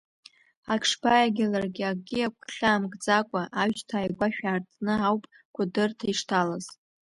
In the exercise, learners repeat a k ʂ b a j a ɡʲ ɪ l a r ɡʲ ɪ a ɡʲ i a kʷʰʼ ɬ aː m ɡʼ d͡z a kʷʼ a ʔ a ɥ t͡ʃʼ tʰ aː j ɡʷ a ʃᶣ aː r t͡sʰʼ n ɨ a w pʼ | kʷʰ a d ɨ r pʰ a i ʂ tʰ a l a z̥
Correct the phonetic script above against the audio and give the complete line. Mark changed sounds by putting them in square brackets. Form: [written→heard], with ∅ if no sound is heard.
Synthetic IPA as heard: a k ʂ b a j a ɡʲ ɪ l a r ɡʲ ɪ a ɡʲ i a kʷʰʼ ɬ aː m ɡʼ d͡z a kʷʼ a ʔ a ɥ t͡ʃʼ tʰ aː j ɡʷ a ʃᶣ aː r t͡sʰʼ n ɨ a w pʼ | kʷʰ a d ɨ r [pʰ→tʰ] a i ʂ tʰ a l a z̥